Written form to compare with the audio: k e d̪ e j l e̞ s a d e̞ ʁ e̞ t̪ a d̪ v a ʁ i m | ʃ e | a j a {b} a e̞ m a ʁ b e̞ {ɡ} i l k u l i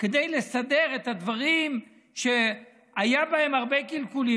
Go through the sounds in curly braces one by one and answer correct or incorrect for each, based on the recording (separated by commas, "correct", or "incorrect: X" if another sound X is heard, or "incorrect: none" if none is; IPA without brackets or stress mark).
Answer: correct, incorrect: k